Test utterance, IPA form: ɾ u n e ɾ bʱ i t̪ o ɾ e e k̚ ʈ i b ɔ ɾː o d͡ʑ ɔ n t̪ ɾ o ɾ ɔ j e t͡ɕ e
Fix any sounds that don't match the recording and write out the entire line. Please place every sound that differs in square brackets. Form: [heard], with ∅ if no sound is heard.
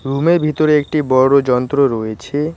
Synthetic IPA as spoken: ɾ u [m] e ɾ bʱ i t̪ o ɾ e e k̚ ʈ i b ɔ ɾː o d͡ʑ ɔ n t̪ ɾ o ɾ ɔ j e [t͡ɕʰ] e

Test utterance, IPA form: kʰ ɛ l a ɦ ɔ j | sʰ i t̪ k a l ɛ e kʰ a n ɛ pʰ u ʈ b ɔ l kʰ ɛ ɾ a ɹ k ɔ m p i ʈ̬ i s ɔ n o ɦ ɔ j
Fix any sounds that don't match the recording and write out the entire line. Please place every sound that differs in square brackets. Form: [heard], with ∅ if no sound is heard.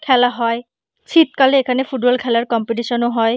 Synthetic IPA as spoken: kʰ ɛ l a ɦ ɔ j | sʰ i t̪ k a l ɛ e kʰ a n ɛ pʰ u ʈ b ɔ l kʰ ɛ [l] a ɹ k ɔ m p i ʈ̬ i s ɔ n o ɦ ɔ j

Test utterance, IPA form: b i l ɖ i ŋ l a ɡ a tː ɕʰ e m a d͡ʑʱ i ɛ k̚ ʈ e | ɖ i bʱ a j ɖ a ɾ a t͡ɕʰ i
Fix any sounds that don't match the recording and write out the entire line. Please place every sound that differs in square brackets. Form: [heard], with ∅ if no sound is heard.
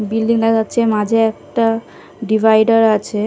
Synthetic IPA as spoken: b i l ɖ i ŋ l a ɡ a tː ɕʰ e m a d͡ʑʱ [e] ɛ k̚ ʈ [a] | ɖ i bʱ a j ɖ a ɾ a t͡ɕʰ [e]

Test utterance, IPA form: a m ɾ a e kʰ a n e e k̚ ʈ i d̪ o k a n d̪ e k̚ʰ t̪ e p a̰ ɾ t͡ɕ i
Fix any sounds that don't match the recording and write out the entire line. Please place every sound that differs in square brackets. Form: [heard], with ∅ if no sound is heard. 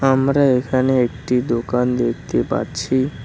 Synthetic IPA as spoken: a m ɾ a e kʰ a n e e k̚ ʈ i d̪ o k a n d̪ e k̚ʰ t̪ e p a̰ ɾ [t͡ɕʰ] i

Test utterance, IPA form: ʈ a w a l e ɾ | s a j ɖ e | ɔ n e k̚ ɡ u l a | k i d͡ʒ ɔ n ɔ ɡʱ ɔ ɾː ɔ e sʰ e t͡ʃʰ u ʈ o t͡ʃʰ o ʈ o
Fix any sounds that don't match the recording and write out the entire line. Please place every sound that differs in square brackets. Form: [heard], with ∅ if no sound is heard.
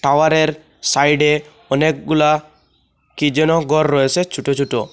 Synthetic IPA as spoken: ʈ a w a [ɾ] e ɾ | s a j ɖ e | ɔ n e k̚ ɡ u l a | k i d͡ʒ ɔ n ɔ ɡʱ ɔ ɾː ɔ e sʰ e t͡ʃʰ u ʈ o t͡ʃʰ [u] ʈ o

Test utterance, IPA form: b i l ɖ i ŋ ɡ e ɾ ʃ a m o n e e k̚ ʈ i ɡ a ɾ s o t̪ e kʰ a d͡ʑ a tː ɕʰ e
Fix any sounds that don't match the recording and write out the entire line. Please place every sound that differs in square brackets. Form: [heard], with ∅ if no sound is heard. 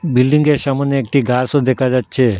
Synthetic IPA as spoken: b i l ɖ i ŋ ɡ e ɾ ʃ a m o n e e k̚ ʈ i ɡ a ɾ s o [d̪] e kʰ a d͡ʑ a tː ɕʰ e

